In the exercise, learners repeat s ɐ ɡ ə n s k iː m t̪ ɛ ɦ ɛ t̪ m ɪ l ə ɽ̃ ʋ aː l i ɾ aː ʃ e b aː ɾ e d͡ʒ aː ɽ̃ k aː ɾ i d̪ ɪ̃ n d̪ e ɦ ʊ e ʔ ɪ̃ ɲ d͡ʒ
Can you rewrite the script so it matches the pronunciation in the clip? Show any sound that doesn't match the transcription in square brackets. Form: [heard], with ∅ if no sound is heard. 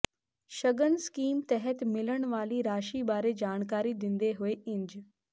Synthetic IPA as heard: [ʃ] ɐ ɡ ə n s k iː m t̪ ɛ ɦ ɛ t̪ m ɪ l ə ɽ̃ ʋ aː l i ɾ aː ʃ [i] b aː ɾ e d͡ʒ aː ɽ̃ k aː ɾ i d̪ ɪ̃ n d̪ e ɦ ʊ e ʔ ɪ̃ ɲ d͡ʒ